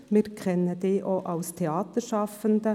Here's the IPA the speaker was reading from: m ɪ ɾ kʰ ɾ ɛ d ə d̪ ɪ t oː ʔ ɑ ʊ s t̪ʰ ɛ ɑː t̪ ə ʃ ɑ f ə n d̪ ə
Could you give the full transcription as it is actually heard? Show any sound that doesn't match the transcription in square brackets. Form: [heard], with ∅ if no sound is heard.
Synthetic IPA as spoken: m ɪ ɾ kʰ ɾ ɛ [n] ə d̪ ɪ [ʔ] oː ʔ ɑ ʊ s t̪ʰ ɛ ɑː t̪ ə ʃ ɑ f ə n d̪ ə